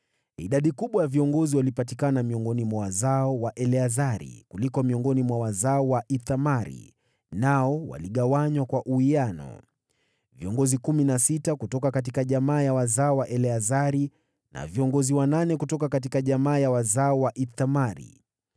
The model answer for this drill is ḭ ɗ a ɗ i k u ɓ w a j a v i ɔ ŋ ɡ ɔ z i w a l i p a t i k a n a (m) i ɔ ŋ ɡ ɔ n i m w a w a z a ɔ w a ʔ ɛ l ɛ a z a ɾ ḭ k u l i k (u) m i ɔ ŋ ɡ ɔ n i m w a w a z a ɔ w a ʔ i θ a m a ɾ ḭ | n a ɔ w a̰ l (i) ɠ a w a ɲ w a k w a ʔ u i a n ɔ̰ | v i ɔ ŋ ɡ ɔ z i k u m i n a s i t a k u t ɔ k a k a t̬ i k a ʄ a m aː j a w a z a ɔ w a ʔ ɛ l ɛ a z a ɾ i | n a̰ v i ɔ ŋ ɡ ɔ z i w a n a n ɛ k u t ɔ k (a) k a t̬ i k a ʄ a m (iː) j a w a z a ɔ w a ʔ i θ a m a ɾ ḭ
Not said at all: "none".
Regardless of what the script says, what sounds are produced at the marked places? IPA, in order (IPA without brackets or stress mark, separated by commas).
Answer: m, ɔ, i, a, aː